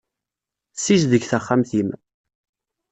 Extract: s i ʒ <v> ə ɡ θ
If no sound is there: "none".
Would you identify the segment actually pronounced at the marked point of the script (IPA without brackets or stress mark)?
ð